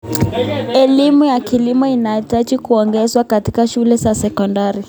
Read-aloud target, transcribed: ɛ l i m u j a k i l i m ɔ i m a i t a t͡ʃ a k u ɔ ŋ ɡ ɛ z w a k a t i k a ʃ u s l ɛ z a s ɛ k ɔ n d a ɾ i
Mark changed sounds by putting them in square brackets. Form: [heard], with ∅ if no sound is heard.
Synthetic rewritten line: ɛ l i m u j a k i l i m ɔ i [n] a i t a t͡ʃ [i] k u ɔ ŋ ɡ ɛ z w a k a t i k a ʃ u [∅] l ɛ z a s ɛ k ɔ n d a ɾ i